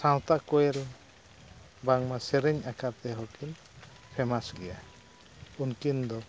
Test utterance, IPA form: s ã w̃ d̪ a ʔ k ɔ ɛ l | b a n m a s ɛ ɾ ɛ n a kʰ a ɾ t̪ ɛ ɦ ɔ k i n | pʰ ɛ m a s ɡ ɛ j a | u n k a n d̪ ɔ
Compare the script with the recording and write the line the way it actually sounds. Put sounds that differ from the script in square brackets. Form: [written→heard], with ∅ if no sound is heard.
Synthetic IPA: s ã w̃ [d̪→t̪] a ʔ k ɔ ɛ l | b a [n→ŋ] m a s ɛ ɾ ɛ [n→ɲ] a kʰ a ɾ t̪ ɛ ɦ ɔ k i n | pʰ ɛ m a s ɡ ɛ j a | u n k [a→i] n d̪ ɔ